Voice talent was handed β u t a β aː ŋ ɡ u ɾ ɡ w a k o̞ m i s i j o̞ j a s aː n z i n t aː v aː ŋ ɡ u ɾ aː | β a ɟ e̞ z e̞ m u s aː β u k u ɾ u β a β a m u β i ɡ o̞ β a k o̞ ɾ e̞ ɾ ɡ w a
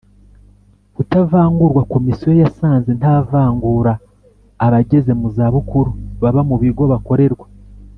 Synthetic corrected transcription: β u t a v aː ŋ ɡ u ɾ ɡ w a k o̞ m i s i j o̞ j a s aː n z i n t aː v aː ŋ ɡ u ɾ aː | β a ɟ e̞ z e̞ m u z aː β u k u ɾ u β a β a m u β i ɡ o̞ β a k o̞ ɾ e̞ ɾ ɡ w a